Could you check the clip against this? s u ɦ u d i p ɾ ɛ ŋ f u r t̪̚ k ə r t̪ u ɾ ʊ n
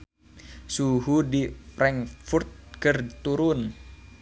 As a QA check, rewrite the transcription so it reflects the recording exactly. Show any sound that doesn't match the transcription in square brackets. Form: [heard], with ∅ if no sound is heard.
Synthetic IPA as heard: s u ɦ u d i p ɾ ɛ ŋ f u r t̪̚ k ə r t̪ u ɾ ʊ n